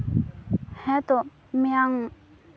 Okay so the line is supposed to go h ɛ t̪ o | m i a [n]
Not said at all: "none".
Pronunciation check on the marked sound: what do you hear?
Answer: ŋ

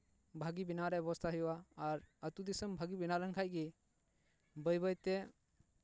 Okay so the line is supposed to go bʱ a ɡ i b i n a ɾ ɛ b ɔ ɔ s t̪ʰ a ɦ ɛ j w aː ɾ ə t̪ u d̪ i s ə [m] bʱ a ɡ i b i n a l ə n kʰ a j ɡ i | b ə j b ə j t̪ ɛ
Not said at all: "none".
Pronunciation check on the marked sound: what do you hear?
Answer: m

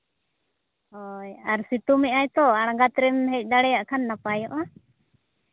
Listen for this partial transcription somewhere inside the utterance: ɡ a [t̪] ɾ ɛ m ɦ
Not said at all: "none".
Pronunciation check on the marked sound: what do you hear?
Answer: t̪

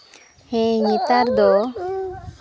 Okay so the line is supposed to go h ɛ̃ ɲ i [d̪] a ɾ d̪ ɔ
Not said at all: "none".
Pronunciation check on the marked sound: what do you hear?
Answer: t̪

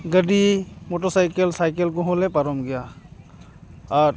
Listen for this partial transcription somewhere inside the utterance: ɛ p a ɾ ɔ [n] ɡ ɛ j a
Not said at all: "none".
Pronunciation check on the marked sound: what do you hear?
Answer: m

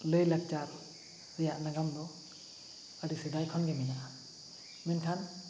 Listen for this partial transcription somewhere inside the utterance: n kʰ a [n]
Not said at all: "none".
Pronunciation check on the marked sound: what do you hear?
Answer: n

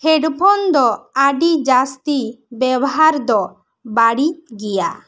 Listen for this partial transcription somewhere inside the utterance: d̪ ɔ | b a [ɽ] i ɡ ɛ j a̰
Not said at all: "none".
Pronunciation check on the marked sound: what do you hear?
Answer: ɽ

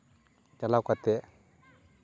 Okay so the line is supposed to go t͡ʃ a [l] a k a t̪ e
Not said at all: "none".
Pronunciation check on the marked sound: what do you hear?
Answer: l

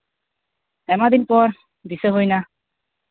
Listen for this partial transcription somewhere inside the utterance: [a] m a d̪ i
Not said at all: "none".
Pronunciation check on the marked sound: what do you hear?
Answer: ɛ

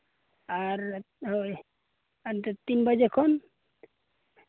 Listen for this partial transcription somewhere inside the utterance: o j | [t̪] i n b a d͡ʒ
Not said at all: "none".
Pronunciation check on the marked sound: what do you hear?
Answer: t̪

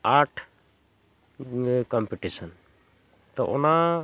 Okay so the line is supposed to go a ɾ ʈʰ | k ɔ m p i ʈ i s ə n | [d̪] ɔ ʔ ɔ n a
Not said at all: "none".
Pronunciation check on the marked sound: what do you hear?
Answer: t̪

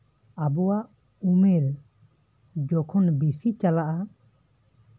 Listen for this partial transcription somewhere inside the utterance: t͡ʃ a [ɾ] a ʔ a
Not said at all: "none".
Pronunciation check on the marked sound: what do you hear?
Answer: l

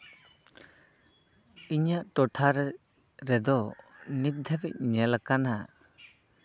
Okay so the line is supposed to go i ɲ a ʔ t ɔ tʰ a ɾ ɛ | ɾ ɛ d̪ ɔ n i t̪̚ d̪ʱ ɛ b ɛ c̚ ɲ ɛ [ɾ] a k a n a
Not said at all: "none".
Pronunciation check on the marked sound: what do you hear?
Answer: l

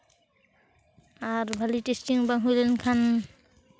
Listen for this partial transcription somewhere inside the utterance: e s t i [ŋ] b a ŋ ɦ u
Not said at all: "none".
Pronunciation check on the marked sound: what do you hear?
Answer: ŋ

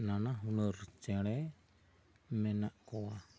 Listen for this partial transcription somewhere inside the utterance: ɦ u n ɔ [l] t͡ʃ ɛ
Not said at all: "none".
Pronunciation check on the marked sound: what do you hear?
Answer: ɾ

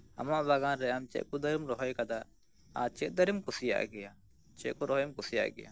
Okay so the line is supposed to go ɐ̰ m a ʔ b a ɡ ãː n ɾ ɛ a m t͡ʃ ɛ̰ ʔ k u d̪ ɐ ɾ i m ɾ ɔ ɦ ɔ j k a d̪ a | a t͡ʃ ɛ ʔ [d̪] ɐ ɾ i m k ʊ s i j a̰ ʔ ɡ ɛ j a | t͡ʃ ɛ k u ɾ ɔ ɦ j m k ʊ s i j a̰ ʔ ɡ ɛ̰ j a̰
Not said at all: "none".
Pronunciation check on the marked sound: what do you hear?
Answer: d̪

